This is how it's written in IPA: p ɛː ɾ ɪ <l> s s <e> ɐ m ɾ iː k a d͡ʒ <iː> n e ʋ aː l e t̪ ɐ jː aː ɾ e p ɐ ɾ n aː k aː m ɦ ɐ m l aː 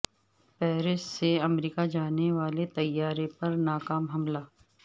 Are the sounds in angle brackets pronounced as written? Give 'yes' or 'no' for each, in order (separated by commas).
no, yes, no